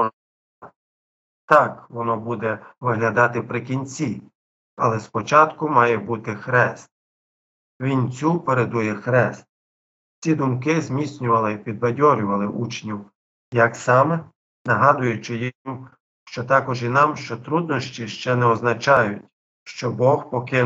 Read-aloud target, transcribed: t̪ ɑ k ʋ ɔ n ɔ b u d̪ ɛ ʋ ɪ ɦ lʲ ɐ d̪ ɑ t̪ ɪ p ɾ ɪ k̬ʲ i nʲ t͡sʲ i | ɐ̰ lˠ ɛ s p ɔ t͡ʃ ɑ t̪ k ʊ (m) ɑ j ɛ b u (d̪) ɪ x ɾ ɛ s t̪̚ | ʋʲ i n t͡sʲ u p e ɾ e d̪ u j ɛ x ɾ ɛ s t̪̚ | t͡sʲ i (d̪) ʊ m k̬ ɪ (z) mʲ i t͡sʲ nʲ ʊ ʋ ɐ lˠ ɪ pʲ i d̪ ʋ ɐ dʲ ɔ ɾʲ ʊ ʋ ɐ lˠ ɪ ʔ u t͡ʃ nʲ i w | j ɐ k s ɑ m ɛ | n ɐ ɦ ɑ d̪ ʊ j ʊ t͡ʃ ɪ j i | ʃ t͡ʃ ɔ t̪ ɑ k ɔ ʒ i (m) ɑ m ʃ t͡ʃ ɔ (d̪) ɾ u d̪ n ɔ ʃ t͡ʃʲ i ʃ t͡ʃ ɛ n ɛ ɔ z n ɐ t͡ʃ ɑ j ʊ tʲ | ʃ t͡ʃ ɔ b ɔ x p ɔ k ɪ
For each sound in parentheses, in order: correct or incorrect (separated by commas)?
correct, incorrect, correct, correct, incorrect, incorrect